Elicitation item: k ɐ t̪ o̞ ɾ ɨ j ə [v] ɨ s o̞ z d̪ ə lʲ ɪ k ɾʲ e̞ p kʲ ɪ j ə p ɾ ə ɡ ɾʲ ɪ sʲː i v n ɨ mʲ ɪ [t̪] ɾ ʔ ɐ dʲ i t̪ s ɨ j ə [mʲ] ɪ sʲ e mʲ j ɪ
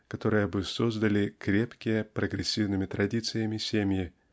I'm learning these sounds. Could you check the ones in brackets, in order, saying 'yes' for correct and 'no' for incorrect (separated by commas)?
no, yes, yes